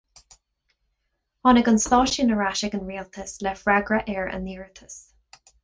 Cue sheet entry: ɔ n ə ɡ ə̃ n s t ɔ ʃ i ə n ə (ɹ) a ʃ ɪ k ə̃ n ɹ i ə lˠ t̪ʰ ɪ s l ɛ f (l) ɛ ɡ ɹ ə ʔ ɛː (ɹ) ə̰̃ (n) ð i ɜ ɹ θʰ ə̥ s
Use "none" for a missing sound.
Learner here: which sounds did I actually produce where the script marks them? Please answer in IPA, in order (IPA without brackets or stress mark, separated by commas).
ɹ, ɹ, ɹ, n